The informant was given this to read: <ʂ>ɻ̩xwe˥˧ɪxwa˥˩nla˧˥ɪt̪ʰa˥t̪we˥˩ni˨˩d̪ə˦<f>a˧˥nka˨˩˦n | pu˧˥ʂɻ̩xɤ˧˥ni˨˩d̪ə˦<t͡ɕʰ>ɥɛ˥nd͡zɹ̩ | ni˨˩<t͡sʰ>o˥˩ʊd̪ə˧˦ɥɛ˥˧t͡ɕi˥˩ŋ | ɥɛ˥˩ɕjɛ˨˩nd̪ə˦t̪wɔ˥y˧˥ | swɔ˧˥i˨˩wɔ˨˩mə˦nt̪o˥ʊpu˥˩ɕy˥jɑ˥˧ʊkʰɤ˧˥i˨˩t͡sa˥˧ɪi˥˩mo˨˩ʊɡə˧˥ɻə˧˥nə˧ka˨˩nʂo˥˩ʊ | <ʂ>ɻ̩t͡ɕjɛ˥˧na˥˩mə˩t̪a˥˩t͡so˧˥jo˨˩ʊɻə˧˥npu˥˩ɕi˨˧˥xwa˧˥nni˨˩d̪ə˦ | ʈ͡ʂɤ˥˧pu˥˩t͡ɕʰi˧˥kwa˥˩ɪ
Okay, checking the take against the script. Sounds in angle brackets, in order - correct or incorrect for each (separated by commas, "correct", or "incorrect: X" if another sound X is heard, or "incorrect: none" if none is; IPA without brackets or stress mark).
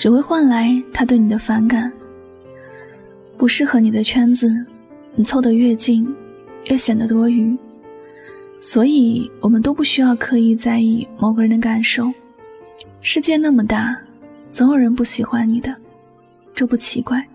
incorrect: ʈ͡ʂ, correct, correct, correct, correct